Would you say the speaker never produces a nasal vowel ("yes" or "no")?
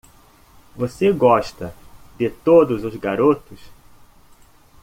yes